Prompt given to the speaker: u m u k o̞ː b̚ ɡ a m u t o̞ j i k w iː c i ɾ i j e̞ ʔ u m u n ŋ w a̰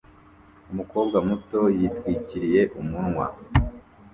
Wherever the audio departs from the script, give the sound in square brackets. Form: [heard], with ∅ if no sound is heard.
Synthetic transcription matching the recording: u m u k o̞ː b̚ ɡ a m u t o̞ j i [t] w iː c i ɾ i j e̞ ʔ u m u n ŋ w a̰